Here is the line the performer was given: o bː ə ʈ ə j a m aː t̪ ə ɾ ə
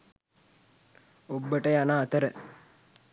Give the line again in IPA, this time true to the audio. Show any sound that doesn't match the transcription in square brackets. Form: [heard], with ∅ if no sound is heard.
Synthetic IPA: o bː ə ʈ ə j a [n] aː t̪ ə ɾ ə